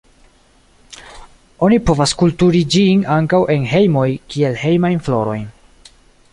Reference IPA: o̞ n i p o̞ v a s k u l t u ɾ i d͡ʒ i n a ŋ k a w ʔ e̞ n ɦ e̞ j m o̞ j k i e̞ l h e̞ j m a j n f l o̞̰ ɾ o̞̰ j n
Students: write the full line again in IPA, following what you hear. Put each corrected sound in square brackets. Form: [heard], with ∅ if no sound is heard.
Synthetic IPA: o̞ n i p o̞ v a s k u l t u ɾ i d͡ʒ i n a ŋ k a w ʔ e̞ n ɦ e̞ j m o̞ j k i e̞ l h e̞ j m a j n f l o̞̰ ɾ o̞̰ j n